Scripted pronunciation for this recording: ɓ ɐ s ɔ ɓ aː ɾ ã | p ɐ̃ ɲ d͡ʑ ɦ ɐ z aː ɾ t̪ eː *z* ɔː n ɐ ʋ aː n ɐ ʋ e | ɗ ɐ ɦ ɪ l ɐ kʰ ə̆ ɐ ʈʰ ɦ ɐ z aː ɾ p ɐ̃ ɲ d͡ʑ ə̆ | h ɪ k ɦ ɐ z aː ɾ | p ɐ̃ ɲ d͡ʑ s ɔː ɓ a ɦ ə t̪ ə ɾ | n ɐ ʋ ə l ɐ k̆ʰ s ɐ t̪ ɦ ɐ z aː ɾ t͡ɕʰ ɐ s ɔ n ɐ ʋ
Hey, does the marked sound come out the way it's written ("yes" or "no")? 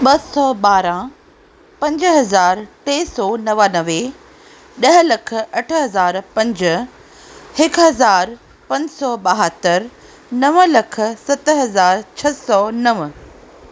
no